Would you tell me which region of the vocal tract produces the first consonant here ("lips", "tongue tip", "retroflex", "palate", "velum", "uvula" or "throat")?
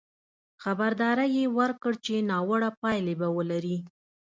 velum